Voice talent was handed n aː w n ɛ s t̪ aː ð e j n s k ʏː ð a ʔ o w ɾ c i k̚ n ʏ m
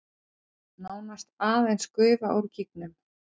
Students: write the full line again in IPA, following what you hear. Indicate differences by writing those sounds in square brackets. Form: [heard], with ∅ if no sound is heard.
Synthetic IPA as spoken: n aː w n [a] s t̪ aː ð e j n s k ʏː [v] a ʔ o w ɾ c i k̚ n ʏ m